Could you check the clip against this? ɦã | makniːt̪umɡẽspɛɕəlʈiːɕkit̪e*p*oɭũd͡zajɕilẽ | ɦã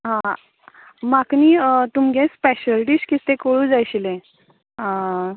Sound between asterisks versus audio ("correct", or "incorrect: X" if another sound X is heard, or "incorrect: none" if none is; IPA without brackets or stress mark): incorrect: k